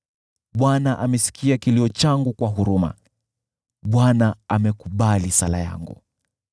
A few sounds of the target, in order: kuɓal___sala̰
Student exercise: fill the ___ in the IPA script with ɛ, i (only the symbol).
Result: i